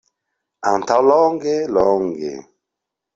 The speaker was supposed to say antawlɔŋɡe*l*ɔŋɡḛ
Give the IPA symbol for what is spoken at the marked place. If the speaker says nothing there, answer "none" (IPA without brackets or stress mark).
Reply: l